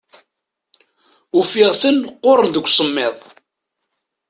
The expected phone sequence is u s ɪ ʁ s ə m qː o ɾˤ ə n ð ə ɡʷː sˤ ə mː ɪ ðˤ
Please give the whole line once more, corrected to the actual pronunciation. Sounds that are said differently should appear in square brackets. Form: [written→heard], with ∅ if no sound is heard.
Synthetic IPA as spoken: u [s→f] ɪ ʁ [s→θ] ə [m→n] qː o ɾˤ ə n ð ə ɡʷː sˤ ə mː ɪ ðˤ